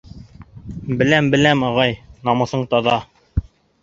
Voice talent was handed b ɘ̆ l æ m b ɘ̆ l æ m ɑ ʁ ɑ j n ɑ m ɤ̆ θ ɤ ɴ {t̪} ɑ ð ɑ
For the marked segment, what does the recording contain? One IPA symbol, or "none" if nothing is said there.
t̪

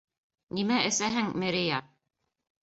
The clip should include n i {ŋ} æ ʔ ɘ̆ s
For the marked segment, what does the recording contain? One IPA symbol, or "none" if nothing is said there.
m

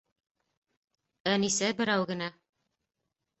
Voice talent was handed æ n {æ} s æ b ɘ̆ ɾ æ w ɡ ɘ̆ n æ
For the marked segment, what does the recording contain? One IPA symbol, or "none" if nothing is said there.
i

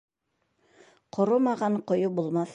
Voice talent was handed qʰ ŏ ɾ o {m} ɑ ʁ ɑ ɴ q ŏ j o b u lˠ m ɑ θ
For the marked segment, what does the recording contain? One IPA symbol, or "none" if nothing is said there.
m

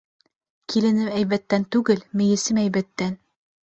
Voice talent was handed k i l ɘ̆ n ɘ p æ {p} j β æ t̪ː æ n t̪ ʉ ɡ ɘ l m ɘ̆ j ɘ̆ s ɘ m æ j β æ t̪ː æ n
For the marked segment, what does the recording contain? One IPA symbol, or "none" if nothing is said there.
none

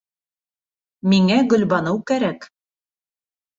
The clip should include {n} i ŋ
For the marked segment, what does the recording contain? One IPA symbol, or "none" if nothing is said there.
m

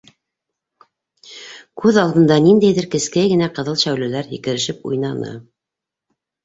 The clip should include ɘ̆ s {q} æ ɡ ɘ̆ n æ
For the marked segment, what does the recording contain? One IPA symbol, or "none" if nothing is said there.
k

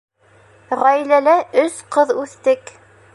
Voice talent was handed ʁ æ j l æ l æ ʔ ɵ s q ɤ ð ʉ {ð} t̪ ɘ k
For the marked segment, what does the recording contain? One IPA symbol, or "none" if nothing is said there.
θ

